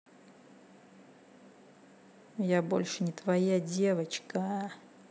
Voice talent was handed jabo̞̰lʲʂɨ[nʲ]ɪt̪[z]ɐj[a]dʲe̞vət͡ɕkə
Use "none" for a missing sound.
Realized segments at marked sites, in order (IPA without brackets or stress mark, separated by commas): nʲ, v, a